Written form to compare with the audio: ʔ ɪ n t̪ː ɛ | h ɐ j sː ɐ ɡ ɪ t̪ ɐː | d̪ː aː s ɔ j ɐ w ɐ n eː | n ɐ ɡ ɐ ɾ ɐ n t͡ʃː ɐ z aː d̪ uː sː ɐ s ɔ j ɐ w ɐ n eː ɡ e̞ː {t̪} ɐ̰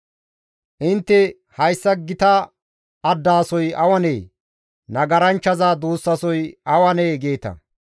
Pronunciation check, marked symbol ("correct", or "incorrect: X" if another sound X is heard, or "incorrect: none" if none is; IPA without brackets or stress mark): correct